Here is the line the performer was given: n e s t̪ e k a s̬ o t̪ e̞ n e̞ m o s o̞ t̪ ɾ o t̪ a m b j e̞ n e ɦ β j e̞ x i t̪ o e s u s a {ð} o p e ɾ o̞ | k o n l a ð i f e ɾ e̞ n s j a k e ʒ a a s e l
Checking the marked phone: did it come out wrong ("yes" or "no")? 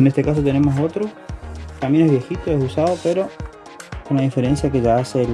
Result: no